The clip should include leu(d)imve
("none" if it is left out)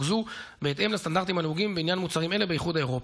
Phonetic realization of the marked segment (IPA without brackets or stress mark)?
ɡ